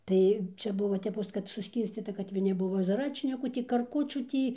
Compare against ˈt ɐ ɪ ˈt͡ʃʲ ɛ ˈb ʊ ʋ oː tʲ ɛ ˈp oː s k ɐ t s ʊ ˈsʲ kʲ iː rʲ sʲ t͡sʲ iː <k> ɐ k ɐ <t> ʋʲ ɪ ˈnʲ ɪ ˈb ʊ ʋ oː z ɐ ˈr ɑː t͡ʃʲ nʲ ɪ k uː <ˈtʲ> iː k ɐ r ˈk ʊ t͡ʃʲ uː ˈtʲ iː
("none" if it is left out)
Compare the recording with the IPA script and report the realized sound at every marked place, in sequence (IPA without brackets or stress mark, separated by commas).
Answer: t, t, tʲ